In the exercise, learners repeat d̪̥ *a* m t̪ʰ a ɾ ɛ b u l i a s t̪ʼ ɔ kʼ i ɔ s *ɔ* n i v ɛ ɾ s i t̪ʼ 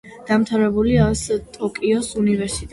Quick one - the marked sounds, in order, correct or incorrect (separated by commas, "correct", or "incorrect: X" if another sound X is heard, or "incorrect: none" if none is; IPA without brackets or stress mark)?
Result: correct, incorrect: u